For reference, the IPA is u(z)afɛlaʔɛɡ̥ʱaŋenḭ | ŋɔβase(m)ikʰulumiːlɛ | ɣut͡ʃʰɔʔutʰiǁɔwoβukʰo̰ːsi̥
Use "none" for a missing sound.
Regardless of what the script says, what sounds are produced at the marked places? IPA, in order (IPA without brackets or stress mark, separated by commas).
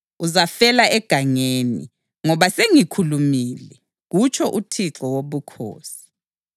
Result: z, ŋ